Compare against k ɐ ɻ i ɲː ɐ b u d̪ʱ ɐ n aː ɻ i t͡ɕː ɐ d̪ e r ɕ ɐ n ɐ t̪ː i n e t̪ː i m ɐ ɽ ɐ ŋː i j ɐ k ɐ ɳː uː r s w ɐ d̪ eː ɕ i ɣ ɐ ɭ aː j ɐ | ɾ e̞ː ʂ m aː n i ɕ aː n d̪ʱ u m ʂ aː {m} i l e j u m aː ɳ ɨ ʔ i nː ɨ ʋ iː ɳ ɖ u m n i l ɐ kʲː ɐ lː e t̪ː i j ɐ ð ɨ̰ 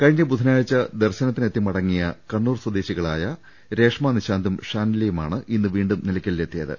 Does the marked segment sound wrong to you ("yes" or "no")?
yes